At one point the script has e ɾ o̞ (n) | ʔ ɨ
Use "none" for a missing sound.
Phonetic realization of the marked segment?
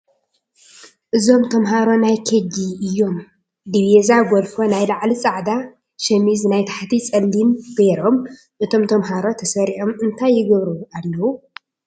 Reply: m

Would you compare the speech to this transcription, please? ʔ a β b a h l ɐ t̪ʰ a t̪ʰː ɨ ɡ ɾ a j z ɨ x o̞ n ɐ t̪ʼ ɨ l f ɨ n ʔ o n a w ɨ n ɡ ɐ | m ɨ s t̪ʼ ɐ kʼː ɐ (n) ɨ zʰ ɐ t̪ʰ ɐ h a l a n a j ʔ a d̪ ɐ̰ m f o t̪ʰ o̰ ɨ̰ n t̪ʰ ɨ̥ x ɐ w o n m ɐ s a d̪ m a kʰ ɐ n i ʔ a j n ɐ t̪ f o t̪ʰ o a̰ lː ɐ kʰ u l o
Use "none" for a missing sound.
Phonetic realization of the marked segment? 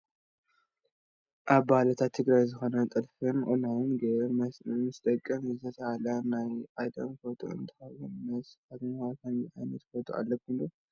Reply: m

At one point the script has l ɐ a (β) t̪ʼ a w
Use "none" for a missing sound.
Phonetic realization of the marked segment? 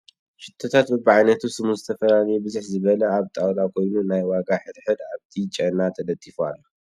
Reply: β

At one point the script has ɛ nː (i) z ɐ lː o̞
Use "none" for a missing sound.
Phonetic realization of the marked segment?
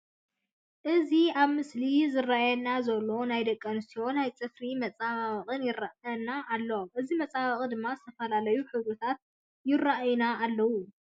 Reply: a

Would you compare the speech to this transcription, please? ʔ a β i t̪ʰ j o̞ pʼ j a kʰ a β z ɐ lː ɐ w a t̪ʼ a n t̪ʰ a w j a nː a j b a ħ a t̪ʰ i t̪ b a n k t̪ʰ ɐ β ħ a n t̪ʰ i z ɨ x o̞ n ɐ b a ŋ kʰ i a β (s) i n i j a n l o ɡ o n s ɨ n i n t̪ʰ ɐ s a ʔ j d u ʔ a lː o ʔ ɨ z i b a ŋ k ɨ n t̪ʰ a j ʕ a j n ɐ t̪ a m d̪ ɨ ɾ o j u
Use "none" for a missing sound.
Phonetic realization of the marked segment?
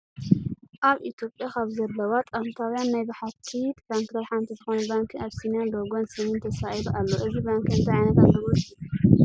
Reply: s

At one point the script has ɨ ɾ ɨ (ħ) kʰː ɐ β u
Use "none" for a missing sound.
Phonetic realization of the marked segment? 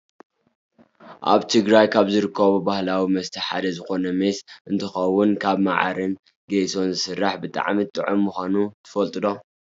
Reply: none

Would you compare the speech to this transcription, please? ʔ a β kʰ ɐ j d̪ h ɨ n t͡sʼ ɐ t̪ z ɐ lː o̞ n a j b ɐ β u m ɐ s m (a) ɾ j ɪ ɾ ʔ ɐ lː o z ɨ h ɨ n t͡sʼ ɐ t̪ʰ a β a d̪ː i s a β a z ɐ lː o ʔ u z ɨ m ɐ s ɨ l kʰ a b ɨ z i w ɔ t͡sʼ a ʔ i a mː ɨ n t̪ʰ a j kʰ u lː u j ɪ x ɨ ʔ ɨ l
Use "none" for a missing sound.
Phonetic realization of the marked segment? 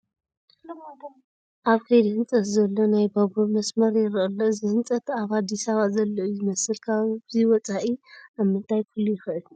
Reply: ɐ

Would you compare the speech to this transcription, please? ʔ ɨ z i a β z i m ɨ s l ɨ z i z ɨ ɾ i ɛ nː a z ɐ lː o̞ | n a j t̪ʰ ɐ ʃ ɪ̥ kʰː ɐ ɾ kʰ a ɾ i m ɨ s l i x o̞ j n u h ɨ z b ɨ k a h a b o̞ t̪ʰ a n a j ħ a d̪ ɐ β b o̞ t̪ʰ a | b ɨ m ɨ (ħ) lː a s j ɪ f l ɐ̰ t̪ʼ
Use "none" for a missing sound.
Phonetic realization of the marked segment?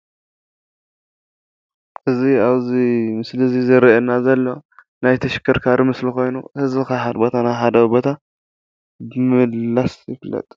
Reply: none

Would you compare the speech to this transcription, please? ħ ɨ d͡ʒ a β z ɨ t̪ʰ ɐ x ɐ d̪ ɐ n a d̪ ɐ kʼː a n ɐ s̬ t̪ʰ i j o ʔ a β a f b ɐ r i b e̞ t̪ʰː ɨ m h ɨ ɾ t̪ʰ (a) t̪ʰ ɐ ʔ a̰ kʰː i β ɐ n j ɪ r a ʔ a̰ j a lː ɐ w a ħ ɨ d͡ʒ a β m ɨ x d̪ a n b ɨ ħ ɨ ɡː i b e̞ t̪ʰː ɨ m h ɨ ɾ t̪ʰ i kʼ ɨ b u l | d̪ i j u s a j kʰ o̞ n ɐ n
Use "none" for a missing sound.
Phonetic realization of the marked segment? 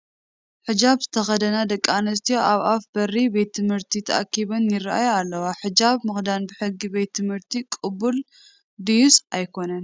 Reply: i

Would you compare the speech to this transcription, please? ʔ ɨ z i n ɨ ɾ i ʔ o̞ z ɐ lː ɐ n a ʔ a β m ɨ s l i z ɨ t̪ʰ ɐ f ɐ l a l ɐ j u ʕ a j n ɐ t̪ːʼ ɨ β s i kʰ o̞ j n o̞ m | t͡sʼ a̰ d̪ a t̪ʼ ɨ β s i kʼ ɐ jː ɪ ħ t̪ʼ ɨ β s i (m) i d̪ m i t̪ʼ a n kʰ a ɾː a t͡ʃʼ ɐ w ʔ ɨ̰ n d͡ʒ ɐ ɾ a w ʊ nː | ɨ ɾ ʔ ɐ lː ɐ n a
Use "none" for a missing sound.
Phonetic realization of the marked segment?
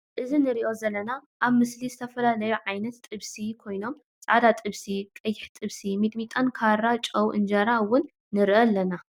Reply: m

